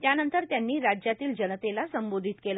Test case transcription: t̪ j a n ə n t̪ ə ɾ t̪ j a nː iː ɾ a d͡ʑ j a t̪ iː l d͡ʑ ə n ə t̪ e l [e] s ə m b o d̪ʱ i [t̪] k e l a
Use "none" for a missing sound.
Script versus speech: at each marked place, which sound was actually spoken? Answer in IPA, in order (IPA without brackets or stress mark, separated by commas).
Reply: a, t̪